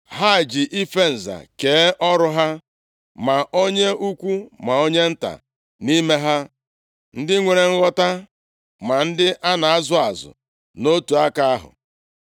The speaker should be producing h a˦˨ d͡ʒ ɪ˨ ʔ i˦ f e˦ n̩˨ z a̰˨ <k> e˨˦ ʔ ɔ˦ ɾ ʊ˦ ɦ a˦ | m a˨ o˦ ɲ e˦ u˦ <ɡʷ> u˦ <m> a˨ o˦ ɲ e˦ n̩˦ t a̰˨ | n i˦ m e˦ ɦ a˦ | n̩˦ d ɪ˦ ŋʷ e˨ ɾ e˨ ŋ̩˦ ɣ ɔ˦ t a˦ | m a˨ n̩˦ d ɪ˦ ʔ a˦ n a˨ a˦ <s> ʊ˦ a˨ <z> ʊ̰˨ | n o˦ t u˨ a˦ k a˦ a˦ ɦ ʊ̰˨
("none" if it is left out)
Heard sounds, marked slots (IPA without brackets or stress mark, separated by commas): k, kʷ, m, z, z